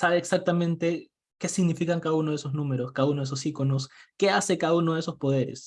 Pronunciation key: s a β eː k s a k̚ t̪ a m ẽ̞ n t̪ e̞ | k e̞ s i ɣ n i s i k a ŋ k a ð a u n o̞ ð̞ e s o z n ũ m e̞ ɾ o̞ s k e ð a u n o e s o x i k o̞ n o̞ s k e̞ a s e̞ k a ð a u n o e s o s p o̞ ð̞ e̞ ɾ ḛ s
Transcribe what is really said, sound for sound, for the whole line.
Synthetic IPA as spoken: s a β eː k s a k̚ t̪ a m ẽ̞ n t̪ e̞ | k e̞ s i ɣ n i f i k a ŋ k a ð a u n o̞ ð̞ e s o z n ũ m e̞ ɾ o̞ s k a ð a u n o e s o s i k o̞ n o̞ s k e̞ a s e̞ k a ð a u n o e s o s p o̞ ð̞ e̞ ɾ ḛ s